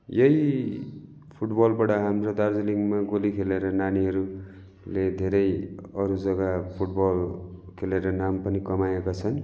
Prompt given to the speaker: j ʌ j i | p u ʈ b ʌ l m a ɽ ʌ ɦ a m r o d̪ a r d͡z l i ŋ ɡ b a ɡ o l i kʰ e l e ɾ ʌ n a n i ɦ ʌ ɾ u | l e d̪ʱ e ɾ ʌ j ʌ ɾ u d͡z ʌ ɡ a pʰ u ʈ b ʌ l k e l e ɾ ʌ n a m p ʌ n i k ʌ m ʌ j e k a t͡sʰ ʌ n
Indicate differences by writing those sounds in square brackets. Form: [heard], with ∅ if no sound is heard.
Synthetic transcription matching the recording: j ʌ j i | [pʰ] u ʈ b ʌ l [b] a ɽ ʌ ɦ a m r o d̪ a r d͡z l i ŋ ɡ [m] a ɡ o l i kʰ e l e ɾ ʌ n a n i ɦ ʌ ɾ u | l e d̪ʱ e ɾ ʌ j ʌ ɾ u d͡z ʌ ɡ a pʰ u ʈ b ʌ l [kʰ] e l e ɾ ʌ n a m p ʌ n i k ʌ m [a] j e k a t͡sʰ ʌ n